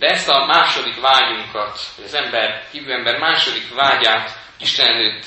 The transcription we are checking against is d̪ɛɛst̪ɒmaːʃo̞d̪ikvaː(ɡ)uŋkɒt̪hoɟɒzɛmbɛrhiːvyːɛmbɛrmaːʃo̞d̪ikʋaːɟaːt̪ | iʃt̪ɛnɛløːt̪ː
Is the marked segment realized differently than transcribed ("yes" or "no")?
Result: yes